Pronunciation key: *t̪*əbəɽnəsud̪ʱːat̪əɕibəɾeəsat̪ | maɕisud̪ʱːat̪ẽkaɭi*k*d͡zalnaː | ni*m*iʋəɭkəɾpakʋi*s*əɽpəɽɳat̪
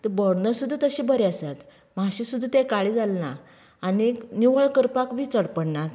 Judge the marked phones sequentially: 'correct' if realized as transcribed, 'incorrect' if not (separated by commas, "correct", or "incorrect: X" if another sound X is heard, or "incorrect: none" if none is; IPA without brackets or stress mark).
correct, incorrect: none, incorrect: n, incorrect: t͡s